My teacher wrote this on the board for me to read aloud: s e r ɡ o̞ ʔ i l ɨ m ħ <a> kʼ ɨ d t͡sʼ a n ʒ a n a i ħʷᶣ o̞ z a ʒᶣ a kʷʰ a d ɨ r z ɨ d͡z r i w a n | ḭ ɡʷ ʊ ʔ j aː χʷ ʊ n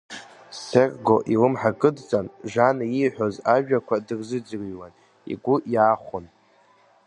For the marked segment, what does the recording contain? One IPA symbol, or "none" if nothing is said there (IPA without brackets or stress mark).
a